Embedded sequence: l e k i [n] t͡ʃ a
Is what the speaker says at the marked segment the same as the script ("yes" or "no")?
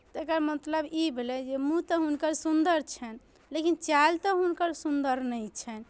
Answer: yes